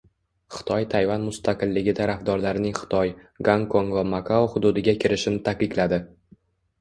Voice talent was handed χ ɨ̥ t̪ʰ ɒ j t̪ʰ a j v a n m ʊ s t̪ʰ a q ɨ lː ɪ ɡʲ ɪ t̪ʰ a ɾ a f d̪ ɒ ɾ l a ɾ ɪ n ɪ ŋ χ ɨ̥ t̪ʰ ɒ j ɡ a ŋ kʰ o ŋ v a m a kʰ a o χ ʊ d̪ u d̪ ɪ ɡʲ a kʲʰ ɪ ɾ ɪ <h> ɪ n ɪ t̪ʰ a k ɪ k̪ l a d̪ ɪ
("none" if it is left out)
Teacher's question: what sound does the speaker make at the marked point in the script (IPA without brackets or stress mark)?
ʃ